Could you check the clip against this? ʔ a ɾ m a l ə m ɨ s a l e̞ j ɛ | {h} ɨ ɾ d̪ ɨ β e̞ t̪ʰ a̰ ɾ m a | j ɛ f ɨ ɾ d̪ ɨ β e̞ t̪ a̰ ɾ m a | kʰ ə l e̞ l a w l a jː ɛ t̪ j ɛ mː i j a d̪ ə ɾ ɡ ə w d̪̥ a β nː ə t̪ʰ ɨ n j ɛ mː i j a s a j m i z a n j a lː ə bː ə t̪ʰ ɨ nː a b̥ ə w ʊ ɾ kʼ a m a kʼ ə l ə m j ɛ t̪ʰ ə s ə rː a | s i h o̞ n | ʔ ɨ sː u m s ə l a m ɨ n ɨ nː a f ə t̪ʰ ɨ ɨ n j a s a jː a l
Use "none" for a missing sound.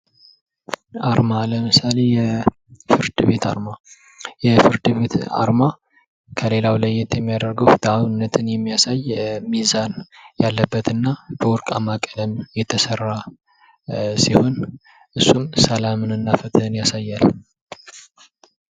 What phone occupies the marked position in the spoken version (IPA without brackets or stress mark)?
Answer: f